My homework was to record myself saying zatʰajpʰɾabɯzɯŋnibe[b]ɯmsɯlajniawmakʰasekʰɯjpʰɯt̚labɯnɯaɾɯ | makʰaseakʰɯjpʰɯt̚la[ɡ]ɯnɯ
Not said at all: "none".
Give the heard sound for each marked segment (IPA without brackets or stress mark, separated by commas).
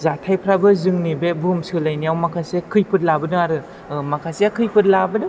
b, b